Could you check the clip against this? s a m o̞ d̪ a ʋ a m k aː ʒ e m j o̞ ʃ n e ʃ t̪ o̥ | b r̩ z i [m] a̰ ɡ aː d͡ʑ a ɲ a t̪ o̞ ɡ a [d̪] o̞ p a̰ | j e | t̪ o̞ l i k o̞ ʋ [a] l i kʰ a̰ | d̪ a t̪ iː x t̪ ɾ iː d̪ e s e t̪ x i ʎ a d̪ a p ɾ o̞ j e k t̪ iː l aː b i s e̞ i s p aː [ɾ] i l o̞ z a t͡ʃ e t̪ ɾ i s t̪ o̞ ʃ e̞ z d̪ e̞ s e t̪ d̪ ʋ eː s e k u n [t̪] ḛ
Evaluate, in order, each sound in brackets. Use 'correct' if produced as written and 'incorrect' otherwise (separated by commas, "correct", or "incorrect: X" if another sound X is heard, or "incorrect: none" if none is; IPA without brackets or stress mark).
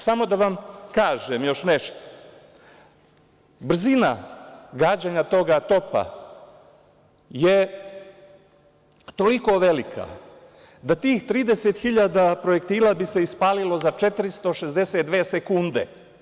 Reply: incorrect: n, incorrect: t̪, incorrect: e, incorrect: l, incorrect: d̪